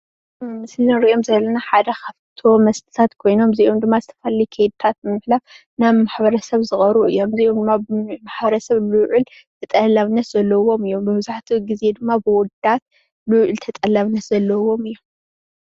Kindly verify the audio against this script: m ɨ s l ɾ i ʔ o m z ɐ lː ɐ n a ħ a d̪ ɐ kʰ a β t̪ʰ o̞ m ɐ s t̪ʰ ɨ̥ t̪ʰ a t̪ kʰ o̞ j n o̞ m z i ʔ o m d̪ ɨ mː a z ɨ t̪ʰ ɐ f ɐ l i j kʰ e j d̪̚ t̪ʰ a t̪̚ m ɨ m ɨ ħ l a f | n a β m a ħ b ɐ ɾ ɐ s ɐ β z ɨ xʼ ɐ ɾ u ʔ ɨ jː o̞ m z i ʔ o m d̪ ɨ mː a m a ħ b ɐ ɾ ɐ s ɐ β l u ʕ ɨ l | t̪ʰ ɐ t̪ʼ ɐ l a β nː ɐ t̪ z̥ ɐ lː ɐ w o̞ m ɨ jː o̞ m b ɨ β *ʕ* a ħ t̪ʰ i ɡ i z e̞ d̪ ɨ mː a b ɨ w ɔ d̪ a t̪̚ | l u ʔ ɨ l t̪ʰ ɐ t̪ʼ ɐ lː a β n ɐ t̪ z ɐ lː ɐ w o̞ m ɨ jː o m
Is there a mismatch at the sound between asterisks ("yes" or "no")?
yes